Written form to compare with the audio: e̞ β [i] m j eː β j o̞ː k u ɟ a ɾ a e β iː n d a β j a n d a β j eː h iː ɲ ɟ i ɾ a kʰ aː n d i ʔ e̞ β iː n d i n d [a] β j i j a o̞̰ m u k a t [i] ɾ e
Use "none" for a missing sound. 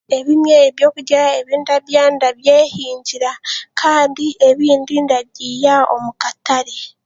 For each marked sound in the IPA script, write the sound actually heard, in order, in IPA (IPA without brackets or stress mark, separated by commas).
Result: i, a, a